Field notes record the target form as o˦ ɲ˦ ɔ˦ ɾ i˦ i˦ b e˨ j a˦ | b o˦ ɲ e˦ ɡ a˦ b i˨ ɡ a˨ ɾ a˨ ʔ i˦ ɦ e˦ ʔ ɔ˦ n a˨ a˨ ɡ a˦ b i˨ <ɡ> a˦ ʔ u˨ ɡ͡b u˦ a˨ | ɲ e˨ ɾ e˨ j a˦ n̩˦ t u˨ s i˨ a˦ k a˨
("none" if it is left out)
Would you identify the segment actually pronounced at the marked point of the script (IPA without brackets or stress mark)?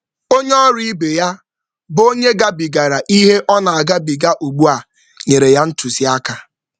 ɡ